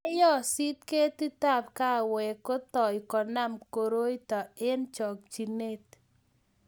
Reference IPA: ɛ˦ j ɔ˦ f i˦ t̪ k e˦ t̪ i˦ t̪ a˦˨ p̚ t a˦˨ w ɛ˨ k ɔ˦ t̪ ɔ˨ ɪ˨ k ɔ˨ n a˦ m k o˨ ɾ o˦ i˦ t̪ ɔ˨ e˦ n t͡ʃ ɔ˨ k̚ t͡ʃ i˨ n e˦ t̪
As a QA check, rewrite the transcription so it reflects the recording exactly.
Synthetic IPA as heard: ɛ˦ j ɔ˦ s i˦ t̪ k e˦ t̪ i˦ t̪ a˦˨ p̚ k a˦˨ w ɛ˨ k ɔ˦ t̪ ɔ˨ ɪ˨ k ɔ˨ n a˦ m k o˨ ɾ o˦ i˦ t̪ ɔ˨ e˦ n t͡ʃ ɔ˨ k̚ t͡ʃ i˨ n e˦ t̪